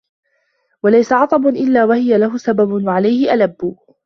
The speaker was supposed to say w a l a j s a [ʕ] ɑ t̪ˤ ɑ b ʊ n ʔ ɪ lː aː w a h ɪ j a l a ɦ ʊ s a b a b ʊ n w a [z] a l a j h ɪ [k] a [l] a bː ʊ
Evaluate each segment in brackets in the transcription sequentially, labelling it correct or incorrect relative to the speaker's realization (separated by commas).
correct, incorrect, incorrect, correct